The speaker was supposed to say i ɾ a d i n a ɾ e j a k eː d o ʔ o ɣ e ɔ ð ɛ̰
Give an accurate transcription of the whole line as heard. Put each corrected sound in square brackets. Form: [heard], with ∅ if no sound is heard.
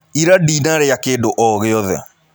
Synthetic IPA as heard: i ɾ a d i n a ɾ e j a k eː d o ʔ [ɔ] ɣ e ɔ ð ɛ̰

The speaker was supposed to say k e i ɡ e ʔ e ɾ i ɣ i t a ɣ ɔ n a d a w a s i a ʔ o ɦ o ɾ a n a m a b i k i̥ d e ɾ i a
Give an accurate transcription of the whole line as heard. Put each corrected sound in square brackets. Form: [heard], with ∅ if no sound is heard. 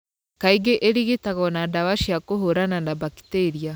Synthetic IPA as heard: k [a] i ɡ e ʔ e ɾ i ɣ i t a ɣ ɔ n a d a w a [ʃ] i a [k] o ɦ o ɾ a n a [n] a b [a] k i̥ [t] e ɾ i a

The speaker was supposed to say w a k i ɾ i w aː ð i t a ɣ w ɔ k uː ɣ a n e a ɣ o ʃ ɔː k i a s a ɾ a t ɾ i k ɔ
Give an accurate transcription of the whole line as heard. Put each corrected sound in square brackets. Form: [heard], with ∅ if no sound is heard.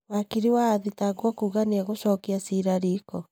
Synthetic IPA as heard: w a k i ɾ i w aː ð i t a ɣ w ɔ k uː ɣ a n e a ɣ o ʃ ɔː k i a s [i] ɾ a [∅] ɾ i k ɔ

